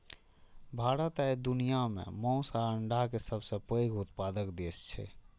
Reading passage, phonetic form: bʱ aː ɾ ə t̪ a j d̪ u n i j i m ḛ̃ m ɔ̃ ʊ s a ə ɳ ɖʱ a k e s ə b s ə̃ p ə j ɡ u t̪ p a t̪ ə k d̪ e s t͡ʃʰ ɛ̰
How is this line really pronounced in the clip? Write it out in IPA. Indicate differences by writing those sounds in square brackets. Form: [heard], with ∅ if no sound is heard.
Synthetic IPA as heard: bʱ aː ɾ ə t̪ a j d̪ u n i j [a] m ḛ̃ m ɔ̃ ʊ s a ə ɳ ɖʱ a k e s ə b s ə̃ p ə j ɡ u t̪ p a [d̪] ə k d̪ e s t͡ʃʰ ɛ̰